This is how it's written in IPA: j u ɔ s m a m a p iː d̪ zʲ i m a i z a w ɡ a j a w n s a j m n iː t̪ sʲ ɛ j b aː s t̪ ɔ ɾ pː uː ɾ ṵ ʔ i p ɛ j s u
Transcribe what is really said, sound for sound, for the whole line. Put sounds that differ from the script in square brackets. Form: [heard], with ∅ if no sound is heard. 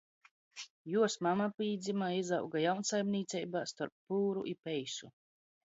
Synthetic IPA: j u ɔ s m a m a p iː d̪ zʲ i m a i z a w ɡ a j a w n s a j m n iː t̪ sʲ ɛ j b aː s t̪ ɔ ɾ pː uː ɾ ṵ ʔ i p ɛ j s u